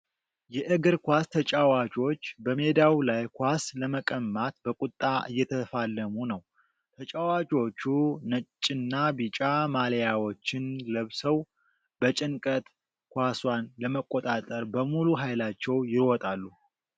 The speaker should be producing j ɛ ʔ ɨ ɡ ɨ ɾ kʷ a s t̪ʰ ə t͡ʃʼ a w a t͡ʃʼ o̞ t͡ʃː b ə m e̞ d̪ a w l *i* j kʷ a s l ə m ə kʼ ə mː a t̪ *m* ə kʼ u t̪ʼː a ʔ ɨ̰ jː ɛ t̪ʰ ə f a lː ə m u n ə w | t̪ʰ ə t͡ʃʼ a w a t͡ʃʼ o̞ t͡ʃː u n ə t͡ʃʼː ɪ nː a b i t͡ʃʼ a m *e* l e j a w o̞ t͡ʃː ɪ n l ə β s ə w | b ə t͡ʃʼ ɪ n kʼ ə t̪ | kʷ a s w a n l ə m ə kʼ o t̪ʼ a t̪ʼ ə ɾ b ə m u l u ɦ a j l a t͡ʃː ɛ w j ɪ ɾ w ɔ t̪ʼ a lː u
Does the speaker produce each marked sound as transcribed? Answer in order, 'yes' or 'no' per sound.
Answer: no, no, no

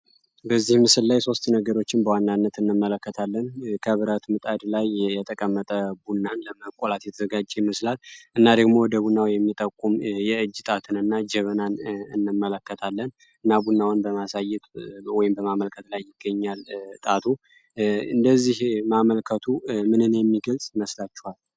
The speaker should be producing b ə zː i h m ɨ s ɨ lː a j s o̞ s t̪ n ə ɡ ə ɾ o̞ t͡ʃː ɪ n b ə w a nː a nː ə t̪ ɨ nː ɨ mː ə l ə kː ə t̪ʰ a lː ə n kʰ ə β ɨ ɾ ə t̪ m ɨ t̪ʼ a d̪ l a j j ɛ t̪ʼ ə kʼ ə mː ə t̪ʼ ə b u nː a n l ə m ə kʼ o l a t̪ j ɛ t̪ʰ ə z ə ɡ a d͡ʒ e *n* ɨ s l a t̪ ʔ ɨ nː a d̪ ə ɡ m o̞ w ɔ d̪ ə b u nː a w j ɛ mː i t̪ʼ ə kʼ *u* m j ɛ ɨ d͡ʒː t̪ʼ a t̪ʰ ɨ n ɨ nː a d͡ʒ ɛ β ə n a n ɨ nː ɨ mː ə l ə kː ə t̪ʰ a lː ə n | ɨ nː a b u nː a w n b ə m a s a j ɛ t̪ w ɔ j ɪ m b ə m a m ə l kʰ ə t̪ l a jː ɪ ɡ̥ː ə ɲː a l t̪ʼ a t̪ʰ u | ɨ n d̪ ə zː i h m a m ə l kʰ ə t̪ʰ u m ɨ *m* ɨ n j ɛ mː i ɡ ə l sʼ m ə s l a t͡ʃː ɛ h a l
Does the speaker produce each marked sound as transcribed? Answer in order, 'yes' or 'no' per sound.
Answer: no, yes, no

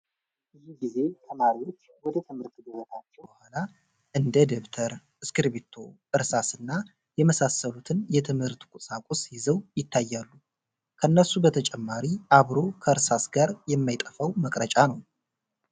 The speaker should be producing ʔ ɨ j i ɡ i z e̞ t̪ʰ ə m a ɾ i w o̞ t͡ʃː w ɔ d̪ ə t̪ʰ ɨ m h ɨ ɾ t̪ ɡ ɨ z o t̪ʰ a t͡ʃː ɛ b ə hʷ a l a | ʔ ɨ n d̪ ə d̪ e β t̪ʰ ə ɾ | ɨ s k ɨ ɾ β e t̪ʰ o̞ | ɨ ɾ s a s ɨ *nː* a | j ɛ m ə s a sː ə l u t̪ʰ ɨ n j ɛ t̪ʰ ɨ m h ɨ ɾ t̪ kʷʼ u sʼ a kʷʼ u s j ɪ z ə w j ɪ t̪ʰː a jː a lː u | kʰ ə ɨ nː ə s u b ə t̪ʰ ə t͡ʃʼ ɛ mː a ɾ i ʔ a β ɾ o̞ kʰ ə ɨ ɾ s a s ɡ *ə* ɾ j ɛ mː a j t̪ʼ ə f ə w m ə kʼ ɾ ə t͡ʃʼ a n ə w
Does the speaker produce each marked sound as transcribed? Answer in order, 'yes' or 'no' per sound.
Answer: yes, no

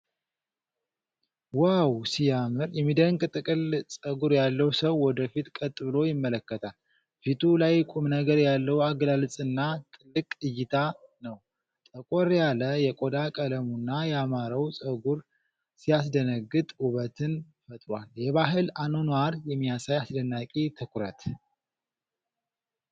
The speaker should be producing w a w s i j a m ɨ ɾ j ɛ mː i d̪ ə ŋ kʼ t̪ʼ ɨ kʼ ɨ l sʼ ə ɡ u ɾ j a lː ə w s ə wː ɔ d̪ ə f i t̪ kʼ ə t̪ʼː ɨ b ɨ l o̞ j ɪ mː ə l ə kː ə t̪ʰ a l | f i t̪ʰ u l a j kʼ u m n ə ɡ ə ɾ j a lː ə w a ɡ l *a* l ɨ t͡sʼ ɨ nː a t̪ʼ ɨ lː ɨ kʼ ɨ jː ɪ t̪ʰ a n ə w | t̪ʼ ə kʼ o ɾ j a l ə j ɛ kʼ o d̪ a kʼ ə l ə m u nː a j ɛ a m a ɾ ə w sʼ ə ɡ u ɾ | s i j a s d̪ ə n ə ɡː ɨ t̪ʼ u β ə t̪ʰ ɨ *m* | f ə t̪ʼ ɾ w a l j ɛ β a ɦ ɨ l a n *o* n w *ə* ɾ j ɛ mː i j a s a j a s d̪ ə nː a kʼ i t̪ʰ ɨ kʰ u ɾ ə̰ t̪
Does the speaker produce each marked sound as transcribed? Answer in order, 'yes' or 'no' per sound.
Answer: yes, no, yes, no

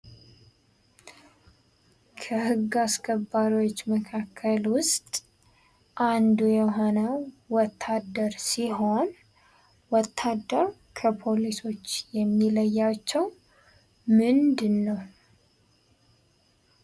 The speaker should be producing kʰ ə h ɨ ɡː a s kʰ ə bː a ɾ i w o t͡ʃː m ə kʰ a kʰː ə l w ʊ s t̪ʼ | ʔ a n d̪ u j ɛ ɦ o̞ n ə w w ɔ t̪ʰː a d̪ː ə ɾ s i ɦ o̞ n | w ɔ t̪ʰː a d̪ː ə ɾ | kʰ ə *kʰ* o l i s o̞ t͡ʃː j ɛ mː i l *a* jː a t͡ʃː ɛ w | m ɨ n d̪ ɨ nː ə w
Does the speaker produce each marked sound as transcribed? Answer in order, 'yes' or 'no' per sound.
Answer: no, no

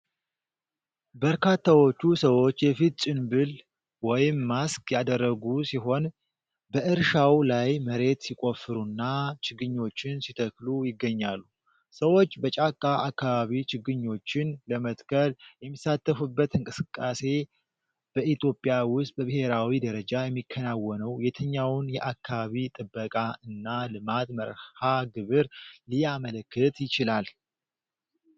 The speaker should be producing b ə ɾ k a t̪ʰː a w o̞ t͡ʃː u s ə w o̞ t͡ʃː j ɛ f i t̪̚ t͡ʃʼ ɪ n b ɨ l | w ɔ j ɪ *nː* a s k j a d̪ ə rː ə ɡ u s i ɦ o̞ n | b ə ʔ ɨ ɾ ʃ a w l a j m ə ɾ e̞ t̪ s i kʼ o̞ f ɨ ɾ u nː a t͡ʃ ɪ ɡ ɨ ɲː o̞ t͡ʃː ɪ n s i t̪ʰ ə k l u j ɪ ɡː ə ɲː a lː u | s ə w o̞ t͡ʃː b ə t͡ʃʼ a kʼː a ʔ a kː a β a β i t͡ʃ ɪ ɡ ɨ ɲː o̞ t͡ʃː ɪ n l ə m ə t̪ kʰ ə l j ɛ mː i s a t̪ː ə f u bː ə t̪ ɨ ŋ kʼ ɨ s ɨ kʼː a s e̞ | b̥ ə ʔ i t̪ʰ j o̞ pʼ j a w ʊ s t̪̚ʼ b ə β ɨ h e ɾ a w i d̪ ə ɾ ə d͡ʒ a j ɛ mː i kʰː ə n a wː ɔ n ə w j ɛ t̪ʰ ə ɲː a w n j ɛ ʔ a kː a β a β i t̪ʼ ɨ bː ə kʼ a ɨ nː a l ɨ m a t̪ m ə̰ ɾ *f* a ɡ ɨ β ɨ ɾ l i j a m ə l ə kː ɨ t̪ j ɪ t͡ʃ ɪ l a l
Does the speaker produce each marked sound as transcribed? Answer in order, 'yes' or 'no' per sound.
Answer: no, no

